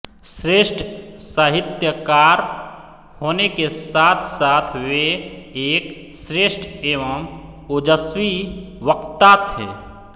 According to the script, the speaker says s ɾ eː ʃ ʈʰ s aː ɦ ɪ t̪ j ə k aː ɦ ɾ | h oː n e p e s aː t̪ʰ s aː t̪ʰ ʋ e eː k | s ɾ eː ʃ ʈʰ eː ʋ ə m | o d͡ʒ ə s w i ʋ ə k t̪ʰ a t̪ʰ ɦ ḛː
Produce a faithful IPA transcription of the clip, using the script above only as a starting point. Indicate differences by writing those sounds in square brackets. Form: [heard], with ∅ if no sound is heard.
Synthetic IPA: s ɾ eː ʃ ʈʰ s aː ɦ ɪ t̪ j ə k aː [∅] ɾ | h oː n e [k] e s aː t̪ʰ s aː t̪ʰ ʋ e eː k | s ɾ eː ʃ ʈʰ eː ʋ ə m | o d͡ʒ ə s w i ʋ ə k [t̪] a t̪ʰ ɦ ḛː